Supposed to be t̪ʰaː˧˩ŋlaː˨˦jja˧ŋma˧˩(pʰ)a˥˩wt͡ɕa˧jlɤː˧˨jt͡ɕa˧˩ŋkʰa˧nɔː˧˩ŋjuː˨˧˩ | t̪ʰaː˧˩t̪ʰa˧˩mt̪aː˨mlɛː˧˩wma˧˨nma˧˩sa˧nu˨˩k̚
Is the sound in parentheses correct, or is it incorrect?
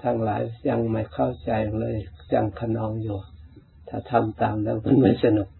incorrect